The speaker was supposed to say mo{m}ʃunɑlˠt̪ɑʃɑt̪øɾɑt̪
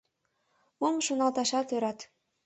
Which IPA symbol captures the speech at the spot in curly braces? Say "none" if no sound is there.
m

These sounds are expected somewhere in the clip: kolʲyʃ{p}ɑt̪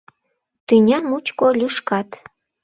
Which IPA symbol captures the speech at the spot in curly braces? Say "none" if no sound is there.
k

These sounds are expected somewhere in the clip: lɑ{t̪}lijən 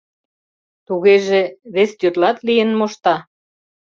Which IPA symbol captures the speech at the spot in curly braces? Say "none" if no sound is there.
t̪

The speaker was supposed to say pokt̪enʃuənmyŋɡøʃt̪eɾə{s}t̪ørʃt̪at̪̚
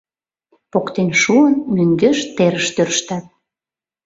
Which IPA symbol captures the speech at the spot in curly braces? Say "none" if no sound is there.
ʃ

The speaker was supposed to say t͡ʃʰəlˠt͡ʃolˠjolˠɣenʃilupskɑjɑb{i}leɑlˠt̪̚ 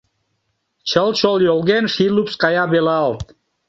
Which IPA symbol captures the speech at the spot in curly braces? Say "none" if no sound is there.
e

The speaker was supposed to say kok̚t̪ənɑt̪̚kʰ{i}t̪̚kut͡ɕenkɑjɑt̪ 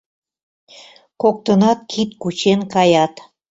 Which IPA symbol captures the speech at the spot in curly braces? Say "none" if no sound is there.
i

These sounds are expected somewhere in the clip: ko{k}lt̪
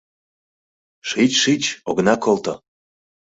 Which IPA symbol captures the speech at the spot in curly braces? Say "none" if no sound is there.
none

